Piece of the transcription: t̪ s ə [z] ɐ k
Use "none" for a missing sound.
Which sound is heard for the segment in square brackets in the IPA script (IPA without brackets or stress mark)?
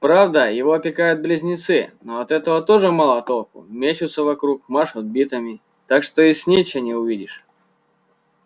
v